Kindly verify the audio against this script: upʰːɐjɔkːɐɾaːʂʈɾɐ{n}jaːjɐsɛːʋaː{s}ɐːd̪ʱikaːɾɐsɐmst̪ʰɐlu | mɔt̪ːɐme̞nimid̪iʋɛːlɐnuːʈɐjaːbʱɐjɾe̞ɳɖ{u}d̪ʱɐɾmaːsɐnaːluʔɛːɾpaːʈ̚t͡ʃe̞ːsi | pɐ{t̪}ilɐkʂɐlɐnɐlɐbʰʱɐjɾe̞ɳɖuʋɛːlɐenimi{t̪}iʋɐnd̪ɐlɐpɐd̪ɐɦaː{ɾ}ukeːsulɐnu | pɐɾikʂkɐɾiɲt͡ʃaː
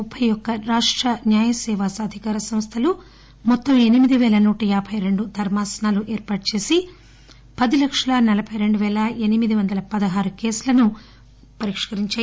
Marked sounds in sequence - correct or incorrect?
correct, correct, correct, incorrect: d̪, incorrect: d̪, correct

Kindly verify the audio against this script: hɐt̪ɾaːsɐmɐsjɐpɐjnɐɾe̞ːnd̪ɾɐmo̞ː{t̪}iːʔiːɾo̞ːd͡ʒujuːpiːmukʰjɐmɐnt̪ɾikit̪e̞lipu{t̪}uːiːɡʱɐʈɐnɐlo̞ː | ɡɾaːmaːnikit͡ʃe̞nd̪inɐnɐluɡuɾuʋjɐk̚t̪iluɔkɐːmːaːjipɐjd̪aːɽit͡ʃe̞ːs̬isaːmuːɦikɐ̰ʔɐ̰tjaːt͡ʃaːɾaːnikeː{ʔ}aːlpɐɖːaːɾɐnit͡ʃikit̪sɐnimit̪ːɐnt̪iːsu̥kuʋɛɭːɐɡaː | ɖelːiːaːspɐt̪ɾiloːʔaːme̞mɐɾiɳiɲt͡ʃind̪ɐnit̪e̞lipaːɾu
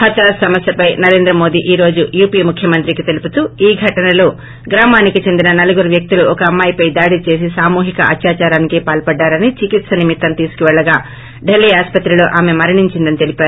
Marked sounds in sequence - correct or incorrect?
incorrect: d̪, correct, incorrect: p

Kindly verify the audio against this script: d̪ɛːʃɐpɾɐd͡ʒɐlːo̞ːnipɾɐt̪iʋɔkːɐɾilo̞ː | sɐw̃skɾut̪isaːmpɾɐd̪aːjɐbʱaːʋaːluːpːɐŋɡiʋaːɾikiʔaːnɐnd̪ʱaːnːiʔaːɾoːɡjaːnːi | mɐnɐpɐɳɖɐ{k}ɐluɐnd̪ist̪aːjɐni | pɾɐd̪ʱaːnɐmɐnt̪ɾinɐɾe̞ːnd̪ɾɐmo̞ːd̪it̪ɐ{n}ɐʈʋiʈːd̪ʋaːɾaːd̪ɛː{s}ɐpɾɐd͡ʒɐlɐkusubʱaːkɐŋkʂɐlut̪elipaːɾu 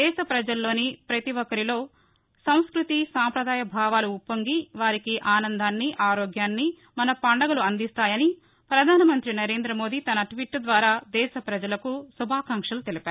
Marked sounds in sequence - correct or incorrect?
incorrect: ɡ, correct, incorrect: ʃ

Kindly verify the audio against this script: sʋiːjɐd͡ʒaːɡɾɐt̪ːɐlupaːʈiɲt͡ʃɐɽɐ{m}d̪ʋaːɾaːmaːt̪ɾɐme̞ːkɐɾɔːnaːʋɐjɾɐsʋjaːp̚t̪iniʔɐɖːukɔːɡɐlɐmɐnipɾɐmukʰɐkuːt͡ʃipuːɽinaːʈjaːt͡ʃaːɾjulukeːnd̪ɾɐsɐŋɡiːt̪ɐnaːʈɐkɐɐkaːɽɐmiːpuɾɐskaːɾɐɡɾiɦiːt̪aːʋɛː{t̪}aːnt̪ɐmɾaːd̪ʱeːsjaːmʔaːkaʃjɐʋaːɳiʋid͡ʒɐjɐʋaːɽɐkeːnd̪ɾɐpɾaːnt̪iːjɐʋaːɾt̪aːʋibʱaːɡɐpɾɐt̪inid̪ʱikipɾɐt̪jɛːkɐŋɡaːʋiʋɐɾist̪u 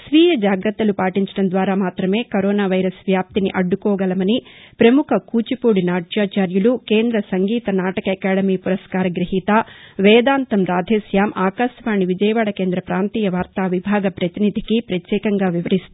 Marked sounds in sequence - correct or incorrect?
incorrect: n, incorrect: d̪

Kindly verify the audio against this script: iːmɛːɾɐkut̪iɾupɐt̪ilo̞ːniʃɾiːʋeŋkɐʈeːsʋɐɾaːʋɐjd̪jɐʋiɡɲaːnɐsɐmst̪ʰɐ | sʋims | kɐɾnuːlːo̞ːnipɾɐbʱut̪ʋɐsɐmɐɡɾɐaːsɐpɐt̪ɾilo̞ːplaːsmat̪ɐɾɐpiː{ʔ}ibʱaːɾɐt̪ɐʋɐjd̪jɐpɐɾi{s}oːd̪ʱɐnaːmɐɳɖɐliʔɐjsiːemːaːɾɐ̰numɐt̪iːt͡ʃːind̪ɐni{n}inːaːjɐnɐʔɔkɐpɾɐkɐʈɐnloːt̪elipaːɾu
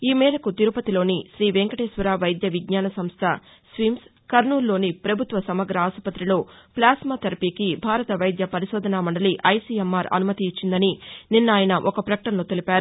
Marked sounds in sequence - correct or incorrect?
incorrect: k, incorrect: ʃ, correct

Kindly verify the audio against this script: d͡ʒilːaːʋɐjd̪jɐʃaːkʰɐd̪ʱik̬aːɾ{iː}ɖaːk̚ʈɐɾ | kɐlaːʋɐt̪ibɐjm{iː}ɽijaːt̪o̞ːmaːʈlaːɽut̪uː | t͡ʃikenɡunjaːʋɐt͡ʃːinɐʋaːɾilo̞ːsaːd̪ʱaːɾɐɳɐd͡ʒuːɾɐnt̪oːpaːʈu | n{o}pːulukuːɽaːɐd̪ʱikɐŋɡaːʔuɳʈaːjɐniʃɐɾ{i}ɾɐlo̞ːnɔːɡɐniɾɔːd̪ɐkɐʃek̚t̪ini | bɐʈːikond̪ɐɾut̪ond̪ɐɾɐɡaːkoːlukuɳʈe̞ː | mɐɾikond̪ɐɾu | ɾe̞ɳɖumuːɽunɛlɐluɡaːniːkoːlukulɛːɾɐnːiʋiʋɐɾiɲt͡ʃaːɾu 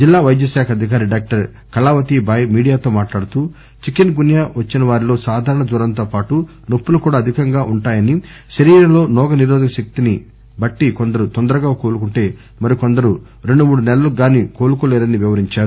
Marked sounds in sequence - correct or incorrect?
incorrect: i, correct, correct, incorrect: iː

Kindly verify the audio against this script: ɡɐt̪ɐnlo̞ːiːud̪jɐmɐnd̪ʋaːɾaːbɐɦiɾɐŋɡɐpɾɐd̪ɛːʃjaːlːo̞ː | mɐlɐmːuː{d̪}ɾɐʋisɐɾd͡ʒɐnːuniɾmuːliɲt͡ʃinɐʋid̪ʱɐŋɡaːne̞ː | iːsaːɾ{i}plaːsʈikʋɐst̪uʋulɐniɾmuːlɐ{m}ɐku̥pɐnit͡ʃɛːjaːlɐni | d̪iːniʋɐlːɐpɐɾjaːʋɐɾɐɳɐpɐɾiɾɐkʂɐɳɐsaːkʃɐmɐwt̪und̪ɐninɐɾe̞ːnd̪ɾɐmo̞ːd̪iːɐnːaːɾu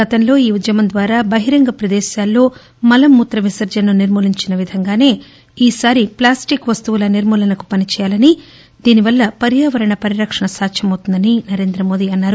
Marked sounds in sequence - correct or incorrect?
incorrect: t̪, correct, incorrect: n

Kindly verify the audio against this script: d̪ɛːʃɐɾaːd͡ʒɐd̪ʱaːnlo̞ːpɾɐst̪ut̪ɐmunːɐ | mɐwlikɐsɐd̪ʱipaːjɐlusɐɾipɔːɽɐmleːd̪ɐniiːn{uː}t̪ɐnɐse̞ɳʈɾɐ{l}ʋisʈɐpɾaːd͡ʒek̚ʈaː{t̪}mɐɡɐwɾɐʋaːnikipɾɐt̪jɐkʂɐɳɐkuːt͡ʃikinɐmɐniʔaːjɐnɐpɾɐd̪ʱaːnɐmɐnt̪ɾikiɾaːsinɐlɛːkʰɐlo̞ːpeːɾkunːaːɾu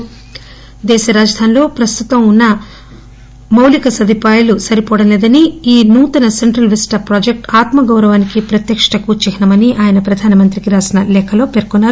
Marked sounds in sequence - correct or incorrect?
correct, correct, correct

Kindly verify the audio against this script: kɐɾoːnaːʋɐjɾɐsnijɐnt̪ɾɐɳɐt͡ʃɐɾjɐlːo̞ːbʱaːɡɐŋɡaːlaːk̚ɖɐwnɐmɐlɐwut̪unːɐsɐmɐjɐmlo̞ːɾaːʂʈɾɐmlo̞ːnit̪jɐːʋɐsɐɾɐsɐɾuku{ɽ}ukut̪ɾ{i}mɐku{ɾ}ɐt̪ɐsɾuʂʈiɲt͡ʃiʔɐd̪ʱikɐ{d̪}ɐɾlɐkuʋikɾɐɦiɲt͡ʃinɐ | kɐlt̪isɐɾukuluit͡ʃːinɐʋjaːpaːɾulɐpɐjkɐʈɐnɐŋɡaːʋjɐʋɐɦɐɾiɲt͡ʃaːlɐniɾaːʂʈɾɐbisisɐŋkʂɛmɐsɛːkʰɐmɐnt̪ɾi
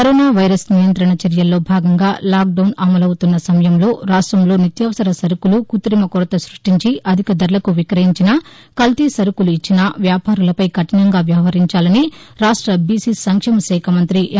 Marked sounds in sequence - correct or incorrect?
incorrect: l, correct, correct, correct

